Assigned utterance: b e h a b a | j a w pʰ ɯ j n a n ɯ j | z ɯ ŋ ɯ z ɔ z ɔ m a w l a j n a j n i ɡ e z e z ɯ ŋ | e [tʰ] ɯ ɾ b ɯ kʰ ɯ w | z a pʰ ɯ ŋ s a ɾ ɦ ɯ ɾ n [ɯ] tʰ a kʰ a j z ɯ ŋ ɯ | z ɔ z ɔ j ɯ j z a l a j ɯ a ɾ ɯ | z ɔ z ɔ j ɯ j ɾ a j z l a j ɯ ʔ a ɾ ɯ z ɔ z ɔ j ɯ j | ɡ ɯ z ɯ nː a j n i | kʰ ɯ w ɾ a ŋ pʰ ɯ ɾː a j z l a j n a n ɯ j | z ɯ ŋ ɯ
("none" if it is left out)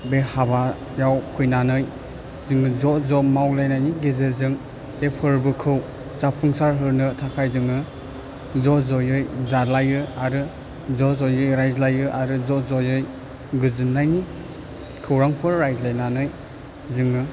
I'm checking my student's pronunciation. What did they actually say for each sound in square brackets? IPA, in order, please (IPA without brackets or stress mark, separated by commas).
pʰ, ɯ